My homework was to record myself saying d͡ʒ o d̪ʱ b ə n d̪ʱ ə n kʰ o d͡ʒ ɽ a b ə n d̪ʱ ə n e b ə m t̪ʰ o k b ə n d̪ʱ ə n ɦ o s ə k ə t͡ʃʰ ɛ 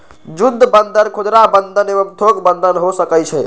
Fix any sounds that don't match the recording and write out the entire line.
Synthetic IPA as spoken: d͡ʒ u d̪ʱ b ə n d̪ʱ ə n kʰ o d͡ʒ ɾ a b ə n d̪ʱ ə n e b ə m t̪ʰ o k b ə n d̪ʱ ə n ɦ o s ə k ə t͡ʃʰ ɛ